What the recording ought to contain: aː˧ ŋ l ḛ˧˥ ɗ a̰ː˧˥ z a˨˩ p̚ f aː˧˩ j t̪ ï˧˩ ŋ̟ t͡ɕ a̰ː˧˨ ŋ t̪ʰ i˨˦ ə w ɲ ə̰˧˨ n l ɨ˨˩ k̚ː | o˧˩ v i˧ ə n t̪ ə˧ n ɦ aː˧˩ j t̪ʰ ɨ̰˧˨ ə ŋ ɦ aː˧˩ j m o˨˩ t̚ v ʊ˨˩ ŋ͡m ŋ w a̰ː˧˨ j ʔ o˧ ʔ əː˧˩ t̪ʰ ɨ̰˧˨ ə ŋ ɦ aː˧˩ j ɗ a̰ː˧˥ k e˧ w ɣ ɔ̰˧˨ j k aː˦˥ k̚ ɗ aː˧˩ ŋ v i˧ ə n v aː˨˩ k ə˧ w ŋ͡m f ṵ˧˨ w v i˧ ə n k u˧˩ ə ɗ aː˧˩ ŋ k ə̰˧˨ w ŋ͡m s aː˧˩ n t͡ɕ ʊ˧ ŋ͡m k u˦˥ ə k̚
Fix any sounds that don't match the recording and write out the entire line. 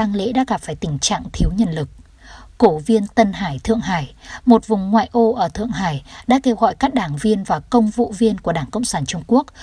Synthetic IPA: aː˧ ŋ l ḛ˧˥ ɗ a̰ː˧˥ ɣ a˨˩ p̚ f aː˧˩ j t̪ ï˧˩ ŋ̟ t͡ɕ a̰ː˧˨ ŋ t̪ʰ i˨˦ ə w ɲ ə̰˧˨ n l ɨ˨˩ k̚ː | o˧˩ v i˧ ə n t̪ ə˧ n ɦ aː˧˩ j t̪ʰ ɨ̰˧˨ ə ŋ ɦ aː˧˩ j m o˨˩ t̚ v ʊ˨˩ ŋ͡m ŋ w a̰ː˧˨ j ʔ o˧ ʔ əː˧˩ t̪ʰ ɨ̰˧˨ ə ŋ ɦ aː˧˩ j ɗ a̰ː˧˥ k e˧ w ɣ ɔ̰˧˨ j k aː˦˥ k̚ ɗ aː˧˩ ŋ v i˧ ə n v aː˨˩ k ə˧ w ŋ͡m v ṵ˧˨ v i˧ ə n k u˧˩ ə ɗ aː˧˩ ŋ k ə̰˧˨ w ŋ͡m s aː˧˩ n t͡ɕ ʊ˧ ŋ͡m k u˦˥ ə k̚